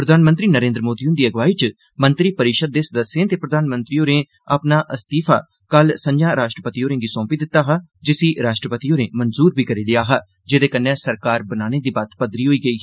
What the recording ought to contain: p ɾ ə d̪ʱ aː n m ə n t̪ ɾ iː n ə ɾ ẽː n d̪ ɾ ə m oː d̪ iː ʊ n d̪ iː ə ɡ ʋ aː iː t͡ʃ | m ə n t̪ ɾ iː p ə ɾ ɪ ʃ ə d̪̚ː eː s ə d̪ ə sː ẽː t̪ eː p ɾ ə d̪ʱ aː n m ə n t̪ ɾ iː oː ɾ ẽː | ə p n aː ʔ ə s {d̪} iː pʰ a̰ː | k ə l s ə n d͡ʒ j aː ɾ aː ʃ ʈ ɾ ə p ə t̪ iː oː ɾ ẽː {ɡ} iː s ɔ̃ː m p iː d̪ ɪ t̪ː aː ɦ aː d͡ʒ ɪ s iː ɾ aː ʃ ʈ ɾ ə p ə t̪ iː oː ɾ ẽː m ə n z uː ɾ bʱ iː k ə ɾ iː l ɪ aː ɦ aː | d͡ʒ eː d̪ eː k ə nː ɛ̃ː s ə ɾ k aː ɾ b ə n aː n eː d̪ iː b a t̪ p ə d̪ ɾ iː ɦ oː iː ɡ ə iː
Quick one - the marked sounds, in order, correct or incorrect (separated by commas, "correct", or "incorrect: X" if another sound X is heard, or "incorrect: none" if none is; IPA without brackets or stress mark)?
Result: incorrect: t̪, correct